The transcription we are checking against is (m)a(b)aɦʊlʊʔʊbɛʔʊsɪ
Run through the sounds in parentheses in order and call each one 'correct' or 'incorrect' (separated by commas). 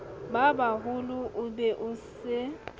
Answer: incorrect, correct